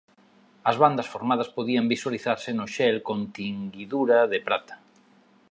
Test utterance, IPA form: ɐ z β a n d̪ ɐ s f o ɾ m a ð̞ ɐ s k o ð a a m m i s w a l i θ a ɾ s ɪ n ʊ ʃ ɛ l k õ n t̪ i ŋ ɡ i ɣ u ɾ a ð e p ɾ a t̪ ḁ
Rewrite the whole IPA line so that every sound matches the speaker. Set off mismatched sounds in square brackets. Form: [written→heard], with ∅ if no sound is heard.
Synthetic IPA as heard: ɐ z β a n d̪ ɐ s f o ɾ m a ð̞ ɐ s [k→p] o ð [a→i] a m [m→b] i s w a l i θ a ɾ s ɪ n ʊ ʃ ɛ l k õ n t̪ i ŋ ɡ i [ɣ→ð] u ɾ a ð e p ɾ a t̪ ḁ